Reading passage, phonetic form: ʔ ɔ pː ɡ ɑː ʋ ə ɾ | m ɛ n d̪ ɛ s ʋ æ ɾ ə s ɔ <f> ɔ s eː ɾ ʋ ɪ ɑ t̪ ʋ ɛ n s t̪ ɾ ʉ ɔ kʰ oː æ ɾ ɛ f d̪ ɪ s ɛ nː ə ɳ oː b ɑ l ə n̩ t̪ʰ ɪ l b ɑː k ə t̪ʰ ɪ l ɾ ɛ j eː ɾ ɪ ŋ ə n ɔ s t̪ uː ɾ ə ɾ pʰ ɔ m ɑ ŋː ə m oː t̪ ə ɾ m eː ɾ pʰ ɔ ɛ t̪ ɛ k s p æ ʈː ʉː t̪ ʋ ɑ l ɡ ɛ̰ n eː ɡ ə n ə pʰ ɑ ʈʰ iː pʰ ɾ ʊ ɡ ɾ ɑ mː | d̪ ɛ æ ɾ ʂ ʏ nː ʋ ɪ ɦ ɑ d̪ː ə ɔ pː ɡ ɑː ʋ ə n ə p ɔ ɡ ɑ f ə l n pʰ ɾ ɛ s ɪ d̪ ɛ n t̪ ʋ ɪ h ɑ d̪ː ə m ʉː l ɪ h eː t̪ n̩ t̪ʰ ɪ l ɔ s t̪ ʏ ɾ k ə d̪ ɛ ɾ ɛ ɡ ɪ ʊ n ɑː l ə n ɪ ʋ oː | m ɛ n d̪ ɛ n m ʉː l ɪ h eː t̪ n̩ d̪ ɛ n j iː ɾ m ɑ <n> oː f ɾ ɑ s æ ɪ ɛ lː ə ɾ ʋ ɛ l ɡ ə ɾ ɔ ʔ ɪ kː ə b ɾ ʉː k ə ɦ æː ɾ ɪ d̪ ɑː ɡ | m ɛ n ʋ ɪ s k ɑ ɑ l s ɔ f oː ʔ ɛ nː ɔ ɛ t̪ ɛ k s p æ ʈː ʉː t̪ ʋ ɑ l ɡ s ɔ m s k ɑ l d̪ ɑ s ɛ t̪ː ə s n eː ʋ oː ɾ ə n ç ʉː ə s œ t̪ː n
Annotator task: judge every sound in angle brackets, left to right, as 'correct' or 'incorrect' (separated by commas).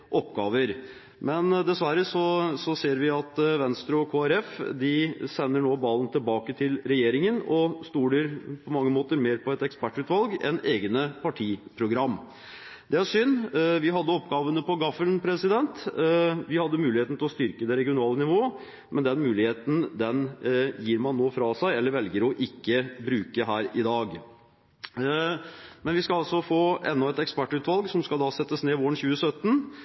incorrect, incorrect